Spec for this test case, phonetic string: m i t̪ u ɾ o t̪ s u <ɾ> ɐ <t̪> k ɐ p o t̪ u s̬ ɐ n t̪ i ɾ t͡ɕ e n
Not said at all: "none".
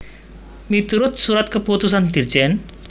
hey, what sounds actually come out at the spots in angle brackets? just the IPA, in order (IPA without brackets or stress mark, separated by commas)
ɾ, t̪